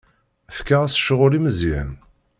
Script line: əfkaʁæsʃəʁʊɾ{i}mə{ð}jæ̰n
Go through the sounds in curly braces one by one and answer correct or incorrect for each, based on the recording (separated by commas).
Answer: correct, incorrect